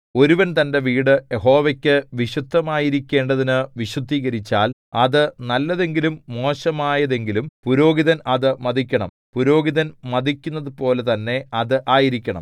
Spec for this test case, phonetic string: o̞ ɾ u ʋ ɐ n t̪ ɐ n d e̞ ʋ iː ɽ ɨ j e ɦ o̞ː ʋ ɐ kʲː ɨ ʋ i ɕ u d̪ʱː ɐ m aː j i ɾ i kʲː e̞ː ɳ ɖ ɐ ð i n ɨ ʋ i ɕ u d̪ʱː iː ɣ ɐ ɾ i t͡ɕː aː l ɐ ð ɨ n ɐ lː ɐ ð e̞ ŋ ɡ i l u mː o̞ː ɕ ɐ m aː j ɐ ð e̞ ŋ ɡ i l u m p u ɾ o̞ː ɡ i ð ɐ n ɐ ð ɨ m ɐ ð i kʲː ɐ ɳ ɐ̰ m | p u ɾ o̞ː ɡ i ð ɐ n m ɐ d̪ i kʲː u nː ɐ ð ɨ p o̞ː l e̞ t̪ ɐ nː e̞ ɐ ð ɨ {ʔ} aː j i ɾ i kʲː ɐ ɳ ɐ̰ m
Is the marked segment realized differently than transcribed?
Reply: no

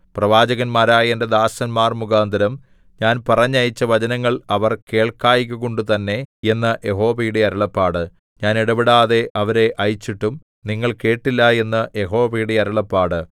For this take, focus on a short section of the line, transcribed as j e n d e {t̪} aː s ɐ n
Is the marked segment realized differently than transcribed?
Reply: yes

